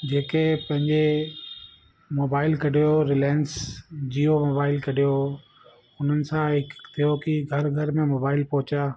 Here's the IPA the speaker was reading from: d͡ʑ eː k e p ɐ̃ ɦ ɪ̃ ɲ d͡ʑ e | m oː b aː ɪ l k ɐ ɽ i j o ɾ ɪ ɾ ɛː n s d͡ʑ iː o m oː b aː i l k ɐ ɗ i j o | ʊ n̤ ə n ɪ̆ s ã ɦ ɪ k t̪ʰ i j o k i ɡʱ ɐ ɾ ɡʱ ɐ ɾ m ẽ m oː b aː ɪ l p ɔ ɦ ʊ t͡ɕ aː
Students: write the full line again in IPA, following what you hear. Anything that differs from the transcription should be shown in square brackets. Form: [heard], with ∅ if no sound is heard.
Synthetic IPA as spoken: d͡ʑ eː k e p ɐ̃ ɦ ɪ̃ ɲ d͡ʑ e | m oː b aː ɪ l k ɐ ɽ i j o ɾ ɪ [l] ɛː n s d͡ʑ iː o m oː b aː [ɪ] l k ɐ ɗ i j o | ʊ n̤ ə n ɪ̆ s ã ɦ ɪ k t̪ʰ i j o k i ɡʱ ɐ ɾ ɡʱ ɐ ɾ m ẽ m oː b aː ɪ l p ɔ ɦ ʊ t͡ɕ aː